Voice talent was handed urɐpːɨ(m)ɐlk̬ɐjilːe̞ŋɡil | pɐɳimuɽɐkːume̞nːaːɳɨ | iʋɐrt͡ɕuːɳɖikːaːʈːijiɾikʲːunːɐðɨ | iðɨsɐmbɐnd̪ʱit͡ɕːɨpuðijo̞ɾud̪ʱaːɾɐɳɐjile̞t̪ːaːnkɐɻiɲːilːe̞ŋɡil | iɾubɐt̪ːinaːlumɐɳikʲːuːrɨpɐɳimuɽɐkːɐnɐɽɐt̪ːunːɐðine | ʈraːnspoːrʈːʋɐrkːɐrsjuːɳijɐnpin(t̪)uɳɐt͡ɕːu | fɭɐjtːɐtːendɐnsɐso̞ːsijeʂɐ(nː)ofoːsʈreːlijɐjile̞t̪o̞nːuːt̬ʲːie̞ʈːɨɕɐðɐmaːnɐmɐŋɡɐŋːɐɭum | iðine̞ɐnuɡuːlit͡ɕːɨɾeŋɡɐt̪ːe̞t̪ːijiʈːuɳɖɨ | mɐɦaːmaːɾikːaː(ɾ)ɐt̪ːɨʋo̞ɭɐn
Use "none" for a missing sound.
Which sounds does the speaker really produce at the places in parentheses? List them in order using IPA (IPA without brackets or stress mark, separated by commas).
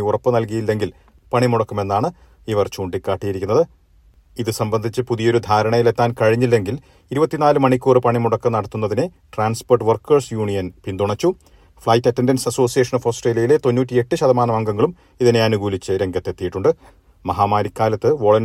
n, d̪, n, l